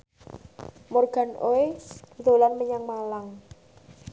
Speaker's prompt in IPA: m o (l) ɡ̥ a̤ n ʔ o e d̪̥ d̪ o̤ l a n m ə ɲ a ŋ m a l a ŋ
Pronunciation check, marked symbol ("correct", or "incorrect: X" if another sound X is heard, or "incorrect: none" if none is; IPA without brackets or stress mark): incorrect: r